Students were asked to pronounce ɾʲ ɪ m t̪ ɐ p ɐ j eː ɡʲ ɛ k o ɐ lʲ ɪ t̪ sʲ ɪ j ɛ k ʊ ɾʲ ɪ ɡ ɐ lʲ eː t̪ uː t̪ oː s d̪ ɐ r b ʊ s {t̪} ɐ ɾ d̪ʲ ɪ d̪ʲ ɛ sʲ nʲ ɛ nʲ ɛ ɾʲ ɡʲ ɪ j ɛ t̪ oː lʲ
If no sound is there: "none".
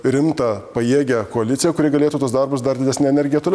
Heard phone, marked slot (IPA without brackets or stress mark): d̪